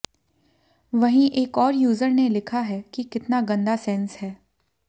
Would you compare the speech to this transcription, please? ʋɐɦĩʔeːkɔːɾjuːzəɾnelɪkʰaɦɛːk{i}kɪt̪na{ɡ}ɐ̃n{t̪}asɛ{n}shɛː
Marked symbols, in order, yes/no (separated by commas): yes, yes, no, yes